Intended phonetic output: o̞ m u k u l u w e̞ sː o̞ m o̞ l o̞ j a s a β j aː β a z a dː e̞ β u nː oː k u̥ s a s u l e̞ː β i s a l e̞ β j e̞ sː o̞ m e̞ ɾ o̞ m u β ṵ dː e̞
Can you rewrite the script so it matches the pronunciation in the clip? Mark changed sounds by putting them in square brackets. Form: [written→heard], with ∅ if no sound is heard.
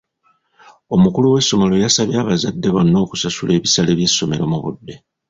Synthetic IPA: o̞ m u k u l u w e̞ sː o̞ m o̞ l o̞ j a s a β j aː β a z a dː e̞ β [u→o] nː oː k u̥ s a s u l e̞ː β i s a l e̞ β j e̞ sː o̞ m e̞ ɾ o̞ m u β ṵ dː e̞